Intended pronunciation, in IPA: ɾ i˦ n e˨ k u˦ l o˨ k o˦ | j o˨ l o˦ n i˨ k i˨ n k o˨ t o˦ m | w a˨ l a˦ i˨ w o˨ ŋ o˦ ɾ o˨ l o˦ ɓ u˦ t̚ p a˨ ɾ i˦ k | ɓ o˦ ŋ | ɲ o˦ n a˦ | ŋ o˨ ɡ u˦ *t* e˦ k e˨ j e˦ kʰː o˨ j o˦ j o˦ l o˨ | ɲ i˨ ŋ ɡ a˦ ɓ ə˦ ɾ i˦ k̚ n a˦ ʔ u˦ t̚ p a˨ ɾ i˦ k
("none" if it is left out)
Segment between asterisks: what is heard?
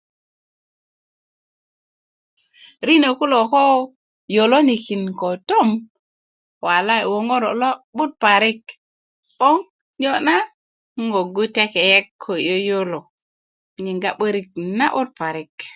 t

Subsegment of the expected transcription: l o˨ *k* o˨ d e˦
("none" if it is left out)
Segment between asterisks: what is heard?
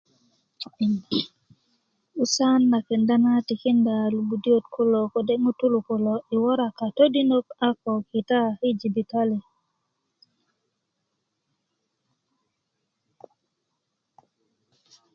k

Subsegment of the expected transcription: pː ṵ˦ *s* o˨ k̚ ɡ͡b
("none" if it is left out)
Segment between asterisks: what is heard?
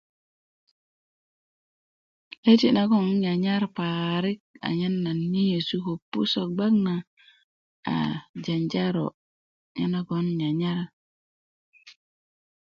s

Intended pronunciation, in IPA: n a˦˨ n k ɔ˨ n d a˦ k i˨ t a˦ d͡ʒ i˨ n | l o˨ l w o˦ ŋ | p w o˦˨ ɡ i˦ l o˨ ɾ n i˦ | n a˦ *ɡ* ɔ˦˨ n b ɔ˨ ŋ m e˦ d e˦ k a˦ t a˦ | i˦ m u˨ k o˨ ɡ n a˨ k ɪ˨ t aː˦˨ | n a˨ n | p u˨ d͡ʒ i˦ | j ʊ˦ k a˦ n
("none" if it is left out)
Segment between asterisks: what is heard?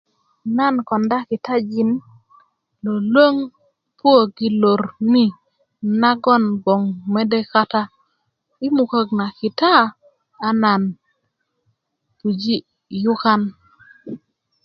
ɡ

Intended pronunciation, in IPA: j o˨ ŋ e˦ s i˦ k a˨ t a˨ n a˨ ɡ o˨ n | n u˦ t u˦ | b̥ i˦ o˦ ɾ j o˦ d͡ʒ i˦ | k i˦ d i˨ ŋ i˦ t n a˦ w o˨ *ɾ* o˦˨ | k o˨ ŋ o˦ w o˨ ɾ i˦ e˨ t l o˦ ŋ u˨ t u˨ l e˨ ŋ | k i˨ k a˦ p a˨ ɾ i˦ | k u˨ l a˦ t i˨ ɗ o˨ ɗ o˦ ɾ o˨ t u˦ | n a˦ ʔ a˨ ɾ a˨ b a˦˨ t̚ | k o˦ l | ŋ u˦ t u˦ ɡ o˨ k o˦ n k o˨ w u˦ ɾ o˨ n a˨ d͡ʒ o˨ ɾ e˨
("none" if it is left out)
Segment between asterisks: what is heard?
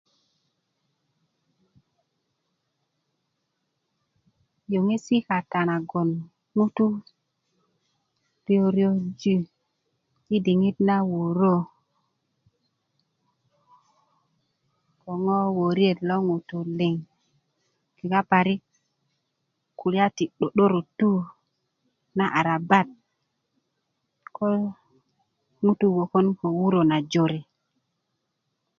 ɾ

